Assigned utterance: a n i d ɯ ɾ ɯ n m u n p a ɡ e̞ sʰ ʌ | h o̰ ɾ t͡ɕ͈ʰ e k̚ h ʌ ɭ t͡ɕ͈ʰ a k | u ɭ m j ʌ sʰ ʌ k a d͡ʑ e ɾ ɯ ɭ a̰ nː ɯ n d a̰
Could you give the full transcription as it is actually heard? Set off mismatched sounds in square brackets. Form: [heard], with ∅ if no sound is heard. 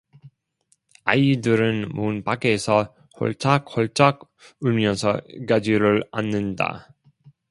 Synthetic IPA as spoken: a [∅] i d ɯ ɾ ɯ n m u n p a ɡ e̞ sʰ ʌ | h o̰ [ɭ] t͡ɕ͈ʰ [a] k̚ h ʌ ɭ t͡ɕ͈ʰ a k | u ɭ m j ʌ sʰ ʌ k a d͡ʑ [i] ɾ ɯ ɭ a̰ nː ɯ n d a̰